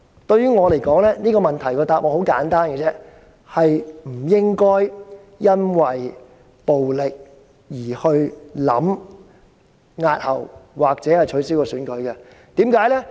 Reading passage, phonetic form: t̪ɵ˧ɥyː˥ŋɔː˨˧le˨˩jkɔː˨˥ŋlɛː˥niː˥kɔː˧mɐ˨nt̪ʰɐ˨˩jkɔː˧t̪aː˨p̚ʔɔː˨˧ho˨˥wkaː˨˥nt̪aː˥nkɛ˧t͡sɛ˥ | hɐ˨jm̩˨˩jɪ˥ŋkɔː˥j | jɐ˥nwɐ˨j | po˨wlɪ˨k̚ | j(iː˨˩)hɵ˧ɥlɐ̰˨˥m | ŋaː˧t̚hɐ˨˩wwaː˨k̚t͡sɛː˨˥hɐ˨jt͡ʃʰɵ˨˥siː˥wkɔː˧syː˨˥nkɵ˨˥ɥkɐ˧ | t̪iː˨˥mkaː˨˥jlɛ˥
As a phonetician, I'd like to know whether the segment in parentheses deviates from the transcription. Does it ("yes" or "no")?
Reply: no